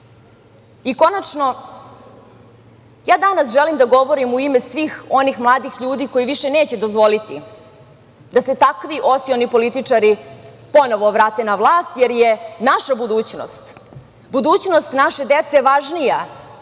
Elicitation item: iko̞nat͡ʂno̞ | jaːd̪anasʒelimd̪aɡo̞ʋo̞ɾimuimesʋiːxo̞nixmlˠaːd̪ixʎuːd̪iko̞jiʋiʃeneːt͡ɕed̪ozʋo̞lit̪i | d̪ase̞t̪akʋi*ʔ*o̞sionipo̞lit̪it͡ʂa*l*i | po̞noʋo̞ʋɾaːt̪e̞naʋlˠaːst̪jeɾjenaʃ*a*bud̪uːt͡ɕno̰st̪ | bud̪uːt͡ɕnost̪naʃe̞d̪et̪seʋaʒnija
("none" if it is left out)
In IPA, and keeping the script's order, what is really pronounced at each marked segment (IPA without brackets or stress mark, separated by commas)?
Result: ʔ, ɾ, a